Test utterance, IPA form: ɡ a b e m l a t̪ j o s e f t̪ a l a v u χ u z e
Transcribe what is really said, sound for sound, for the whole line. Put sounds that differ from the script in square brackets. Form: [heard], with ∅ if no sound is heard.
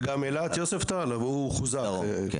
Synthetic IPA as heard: ɡ a [m] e [∅] l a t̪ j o s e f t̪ a l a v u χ u z [a]